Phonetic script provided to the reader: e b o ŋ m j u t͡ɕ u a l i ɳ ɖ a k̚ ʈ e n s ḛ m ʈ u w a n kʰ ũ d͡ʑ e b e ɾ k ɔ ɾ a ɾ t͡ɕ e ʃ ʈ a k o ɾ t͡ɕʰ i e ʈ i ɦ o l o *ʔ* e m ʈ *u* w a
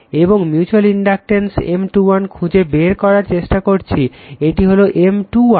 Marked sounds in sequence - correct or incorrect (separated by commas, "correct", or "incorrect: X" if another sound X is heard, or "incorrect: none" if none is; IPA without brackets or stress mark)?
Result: correct, correct